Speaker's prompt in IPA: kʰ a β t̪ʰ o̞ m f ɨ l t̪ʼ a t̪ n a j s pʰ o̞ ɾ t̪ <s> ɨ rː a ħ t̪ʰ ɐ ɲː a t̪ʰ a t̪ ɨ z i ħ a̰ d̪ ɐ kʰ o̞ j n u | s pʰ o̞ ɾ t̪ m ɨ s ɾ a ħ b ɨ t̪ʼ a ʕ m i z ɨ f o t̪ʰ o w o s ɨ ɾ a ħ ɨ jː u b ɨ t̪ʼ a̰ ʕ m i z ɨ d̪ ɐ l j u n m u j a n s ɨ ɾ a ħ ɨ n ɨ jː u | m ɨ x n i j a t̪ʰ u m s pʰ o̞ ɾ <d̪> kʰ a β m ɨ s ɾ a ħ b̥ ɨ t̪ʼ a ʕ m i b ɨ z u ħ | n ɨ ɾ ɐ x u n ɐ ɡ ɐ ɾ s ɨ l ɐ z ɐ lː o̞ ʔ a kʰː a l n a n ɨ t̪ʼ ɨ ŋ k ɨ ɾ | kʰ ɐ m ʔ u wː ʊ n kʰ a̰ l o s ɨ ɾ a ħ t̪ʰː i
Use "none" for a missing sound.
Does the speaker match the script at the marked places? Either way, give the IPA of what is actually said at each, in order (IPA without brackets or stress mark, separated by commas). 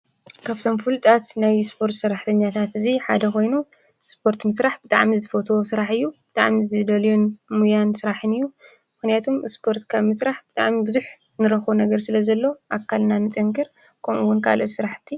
s, t̪